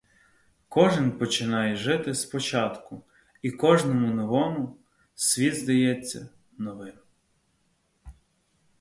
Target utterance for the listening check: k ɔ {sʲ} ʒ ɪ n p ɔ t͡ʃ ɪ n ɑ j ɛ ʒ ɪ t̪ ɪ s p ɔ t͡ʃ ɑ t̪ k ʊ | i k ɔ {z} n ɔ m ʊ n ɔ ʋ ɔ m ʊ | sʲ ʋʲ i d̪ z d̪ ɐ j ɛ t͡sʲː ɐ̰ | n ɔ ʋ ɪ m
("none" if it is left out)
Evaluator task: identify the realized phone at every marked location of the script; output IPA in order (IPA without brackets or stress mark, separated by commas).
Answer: none, ʒ